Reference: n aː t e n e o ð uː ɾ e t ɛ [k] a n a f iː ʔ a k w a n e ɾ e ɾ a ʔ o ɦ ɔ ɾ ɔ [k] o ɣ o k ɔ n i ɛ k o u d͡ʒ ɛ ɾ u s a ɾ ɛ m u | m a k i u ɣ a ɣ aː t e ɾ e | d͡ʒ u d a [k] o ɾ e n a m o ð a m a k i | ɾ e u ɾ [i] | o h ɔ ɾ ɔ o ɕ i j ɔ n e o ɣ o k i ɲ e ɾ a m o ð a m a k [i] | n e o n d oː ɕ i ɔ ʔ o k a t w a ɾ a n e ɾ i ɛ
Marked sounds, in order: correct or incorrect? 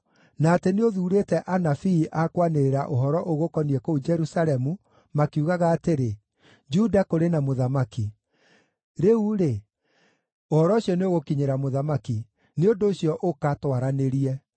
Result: incorrect: ʔ, incorrect: ʔ, correct, incorrect: e, correct

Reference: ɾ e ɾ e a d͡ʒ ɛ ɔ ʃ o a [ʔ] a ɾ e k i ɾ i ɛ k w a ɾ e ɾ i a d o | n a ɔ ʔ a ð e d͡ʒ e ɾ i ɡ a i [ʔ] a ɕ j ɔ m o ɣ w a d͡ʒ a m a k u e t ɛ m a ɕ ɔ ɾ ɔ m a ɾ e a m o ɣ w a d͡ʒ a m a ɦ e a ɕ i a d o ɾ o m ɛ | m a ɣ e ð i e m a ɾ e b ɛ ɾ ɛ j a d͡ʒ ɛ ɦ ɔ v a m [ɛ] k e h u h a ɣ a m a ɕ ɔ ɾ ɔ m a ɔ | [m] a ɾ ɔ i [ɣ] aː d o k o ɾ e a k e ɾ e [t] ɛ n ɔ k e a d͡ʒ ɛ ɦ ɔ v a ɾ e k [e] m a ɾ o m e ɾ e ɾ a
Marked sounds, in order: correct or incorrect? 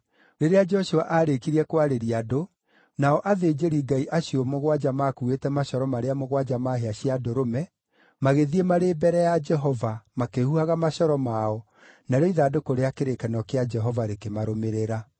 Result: correct, correct, incorrect: a, incorrect: n, incorrect: ð, incorrect: k, correct

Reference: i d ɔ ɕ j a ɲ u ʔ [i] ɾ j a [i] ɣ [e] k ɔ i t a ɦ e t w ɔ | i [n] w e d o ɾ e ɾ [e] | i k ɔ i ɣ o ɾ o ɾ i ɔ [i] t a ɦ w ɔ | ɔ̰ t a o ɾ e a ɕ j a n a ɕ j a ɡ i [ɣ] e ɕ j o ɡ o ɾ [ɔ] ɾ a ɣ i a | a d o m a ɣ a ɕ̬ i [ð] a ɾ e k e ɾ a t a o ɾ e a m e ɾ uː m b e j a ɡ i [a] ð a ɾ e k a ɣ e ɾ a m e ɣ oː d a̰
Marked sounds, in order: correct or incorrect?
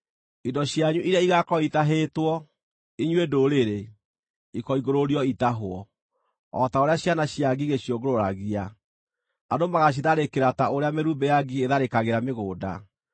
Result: correct, correct, incorrect: a, incorrect: ɲ, correct, correct, correct, incorrect: o, correct, incorrect: e

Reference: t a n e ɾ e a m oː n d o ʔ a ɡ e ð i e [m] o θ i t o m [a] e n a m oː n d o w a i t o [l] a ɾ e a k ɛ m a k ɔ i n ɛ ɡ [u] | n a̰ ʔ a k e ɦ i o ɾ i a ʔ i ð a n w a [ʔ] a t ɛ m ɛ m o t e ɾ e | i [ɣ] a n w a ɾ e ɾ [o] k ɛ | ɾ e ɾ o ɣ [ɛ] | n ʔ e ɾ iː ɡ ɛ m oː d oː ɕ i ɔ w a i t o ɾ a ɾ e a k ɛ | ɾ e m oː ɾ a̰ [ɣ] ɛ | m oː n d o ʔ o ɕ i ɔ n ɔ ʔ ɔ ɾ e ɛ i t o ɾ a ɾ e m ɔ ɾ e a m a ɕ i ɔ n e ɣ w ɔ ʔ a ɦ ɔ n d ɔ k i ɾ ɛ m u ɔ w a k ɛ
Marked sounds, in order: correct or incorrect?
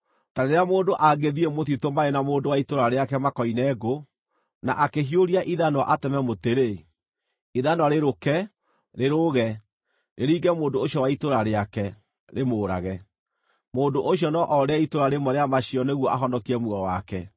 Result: correct, correct, incorrect: ɾ, incorrect: o, correct, incorrect: ð, correct, correct, correct

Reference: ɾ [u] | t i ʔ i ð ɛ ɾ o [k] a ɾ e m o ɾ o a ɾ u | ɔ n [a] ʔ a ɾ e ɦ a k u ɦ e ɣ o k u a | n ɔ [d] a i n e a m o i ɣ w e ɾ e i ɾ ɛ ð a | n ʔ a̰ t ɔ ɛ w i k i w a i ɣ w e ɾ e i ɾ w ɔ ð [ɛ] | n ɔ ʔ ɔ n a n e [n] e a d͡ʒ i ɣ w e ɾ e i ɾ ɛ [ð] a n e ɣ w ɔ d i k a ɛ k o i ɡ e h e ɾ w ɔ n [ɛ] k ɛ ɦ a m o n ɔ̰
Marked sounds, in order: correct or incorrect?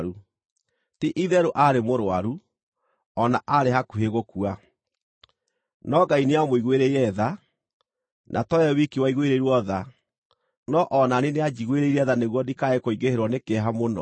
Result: correct, incorrect: ʔ, correct, incorrect: ɡ, incorrect: a, correct, correct, incorrect: e

